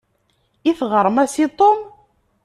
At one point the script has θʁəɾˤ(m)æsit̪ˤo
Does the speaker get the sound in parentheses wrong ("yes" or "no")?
no